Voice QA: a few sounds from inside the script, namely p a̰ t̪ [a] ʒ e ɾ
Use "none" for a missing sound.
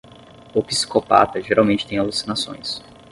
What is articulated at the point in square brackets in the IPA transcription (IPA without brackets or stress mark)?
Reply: ɐ